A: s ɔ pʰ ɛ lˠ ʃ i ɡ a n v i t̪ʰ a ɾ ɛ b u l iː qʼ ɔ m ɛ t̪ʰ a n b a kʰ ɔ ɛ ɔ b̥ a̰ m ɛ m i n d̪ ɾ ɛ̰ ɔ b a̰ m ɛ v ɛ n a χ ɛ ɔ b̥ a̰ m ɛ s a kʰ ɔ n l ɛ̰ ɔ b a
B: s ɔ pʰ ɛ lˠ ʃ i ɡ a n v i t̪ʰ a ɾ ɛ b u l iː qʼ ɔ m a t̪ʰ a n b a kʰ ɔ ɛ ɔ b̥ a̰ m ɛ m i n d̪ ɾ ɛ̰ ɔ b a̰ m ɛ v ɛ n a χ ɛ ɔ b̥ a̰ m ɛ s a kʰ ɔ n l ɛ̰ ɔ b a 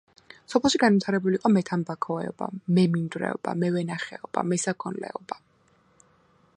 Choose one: A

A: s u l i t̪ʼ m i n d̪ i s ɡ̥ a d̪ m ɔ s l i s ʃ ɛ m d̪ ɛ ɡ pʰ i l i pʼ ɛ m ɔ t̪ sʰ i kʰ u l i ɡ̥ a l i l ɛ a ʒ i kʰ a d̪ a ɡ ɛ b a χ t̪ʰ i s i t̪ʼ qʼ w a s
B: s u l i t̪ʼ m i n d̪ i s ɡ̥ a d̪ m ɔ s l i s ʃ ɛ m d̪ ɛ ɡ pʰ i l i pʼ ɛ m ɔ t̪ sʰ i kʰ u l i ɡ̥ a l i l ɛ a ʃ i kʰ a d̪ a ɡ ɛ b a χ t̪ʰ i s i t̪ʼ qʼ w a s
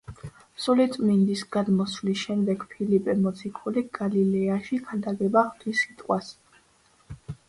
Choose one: B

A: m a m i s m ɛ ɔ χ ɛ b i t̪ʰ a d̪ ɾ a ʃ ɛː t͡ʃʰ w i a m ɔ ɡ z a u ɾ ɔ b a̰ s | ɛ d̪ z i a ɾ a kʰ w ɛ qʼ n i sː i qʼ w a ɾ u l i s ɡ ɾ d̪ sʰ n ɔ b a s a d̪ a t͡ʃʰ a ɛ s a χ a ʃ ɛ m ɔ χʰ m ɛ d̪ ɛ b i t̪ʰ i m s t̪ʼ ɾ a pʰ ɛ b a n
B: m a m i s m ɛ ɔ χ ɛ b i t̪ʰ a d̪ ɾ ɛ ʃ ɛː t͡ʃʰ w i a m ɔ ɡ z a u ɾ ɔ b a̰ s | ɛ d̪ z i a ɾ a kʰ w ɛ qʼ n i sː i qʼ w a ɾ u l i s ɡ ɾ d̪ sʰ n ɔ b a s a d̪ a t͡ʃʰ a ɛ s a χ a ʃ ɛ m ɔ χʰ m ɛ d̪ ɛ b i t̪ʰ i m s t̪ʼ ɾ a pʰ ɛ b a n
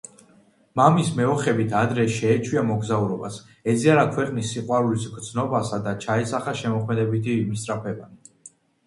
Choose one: B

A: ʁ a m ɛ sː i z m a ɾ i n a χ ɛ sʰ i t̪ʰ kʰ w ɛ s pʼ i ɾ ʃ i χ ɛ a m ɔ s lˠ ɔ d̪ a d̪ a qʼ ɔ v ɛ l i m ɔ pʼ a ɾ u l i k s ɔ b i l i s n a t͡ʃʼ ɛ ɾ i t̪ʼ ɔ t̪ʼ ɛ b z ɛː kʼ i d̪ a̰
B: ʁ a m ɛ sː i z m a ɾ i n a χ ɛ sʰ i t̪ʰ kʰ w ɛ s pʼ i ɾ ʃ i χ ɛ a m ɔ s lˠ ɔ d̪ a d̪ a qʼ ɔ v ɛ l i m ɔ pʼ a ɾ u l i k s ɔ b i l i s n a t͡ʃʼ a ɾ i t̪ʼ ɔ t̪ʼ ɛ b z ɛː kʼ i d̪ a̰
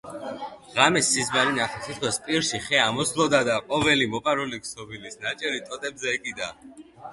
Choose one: A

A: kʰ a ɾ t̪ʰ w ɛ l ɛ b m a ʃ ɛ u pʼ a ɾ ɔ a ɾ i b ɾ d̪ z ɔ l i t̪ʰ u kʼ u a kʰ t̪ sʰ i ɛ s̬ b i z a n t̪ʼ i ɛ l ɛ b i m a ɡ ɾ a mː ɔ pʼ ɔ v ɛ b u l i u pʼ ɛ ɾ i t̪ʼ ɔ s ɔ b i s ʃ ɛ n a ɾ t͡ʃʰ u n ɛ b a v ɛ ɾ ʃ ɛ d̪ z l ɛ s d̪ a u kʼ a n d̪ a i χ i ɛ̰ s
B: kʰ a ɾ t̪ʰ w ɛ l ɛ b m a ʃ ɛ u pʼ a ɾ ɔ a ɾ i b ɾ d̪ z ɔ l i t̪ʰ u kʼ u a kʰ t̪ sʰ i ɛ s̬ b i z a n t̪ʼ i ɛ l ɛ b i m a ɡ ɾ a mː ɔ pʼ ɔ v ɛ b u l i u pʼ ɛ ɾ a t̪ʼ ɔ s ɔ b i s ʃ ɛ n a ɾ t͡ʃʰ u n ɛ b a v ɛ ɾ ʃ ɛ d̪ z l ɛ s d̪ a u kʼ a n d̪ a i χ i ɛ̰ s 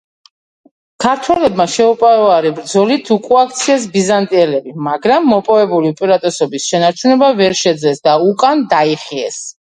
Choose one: B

